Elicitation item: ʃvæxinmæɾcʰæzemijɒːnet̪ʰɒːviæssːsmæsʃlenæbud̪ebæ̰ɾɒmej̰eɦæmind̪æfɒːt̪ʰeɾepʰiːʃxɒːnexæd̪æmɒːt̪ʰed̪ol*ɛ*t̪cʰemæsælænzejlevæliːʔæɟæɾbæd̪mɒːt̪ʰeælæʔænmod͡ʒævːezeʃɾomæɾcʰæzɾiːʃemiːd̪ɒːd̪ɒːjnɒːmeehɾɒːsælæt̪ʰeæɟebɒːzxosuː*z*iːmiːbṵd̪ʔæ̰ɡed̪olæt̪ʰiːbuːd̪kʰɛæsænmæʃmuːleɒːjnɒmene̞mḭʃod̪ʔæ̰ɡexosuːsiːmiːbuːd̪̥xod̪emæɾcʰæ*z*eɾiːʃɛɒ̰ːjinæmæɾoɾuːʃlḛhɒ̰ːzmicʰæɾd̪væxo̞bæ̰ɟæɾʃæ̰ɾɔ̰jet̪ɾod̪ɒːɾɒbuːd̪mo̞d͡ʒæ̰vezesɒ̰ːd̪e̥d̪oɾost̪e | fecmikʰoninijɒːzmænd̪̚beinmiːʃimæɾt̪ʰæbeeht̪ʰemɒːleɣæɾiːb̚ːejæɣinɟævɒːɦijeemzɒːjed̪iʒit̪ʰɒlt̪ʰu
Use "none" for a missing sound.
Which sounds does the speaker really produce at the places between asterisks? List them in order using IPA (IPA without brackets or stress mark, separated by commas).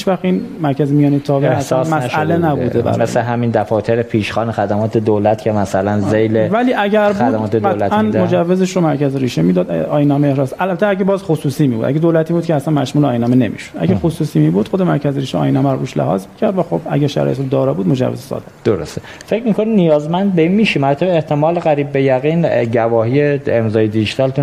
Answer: æ, s, z